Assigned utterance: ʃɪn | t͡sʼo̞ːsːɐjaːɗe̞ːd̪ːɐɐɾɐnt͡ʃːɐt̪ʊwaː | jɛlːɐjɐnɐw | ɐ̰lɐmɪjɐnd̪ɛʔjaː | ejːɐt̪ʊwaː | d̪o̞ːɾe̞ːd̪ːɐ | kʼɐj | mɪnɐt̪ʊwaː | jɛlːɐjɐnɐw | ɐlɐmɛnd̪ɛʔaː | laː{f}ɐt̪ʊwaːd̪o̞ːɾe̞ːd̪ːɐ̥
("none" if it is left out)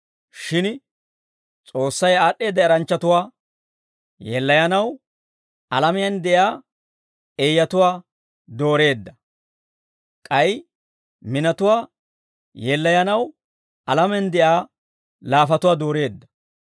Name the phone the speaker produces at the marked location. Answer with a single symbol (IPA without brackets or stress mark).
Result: f